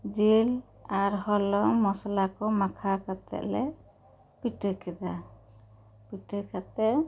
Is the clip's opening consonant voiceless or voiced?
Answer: voiced